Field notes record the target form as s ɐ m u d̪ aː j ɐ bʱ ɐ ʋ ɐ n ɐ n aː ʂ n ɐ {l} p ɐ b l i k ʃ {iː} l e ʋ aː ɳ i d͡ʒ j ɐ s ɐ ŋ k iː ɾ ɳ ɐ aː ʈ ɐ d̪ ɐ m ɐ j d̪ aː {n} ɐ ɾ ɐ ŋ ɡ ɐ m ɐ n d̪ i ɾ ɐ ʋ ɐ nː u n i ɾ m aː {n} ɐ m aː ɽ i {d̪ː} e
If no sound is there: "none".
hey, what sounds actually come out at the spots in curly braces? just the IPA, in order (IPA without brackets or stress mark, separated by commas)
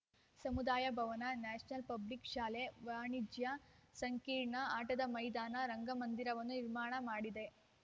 l, aː, n, ɳ, d̪